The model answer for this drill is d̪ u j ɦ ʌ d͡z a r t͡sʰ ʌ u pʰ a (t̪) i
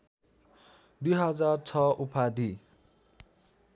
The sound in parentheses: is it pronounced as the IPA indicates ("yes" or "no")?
no